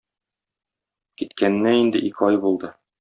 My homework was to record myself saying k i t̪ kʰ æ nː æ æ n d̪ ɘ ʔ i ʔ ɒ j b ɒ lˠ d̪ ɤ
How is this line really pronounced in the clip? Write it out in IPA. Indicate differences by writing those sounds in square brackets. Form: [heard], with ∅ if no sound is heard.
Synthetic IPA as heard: k i t̪ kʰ æ nː æ [i] n d̪ ɘ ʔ i [k] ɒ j b [u] lˠ d̪ ɤ

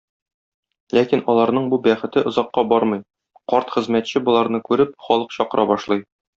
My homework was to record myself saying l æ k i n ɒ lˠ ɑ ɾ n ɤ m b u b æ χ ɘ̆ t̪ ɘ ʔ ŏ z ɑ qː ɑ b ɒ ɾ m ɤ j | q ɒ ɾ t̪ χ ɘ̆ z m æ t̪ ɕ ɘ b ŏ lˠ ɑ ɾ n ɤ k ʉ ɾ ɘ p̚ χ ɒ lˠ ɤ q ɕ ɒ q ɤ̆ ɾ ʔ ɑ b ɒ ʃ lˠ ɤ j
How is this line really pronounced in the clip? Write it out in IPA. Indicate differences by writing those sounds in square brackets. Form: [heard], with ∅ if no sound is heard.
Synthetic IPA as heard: l æ k i n ɒ lˠ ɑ ɾ n ɤ [ɴ] b u b æ χ ɘ̆ t̪ ɘ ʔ ŏ z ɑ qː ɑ b ɒ ɾ m ɤ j | q ɒ ɾ t̪ χ ɘ̆ z m æ t̪ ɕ ɘ b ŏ lˠ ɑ ɾ n ɤ k ʉ ɾ ɘ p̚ χ ɒ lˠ ɤ q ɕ ɒ q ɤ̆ ɾ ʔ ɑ b ɒ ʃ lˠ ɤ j

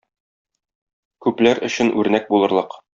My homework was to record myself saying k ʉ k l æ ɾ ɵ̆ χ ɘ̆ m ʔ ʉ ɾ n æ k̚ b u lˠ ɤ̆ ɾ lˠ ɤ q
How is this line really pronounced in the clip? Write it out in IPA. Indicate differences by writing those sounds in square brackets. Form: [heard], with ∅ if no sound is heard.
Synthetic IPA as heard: k ʉ [p] l æ ɾ ɵ̆ [ɕ] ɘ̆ [n] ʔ ʉ ɾ n æ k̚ b u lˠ ɤ̆ ɾ lˠ ɤ q

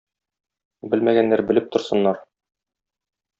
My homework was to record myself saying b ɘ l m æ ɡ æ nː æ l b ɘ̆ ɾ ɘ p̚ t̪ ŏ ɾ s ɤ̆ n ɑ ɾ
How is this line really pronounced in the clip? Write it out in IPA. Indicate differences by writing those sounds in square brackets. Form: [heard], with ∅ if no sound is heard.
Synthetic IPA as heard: b ɘ l m æ ɡ æ nː æ [ɾ] b ɘ̆ [l] ɘ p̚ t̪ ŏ ɾ s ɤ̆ [nː] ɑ ɾ

